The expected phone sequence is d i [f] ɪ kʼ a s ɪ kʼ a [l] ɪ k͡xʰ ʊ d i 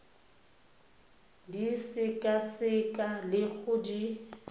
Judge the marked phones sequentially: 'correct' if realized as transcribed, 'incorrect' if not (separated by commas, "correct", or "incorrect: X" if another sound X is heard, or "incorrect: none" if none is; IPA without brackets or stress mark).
incorrect: s, correct